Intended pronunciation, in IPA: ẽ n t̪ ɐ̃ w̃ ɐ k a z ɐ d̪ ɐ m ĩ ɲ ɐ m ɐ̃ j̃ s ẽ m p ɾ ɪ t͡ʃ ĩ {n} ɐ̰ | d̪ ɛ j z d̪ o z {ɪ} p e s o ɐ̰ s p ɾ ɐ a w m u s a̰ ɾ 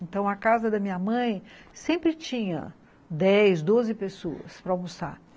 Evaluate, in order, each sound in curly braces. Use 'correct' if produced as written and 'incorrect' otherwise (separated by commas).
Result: incorrect, correct